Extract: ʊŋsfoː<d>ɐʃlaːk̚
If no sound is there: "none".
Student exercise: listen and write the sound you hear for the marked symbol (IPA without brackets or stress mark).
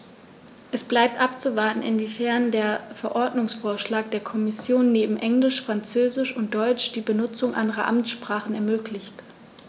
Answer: none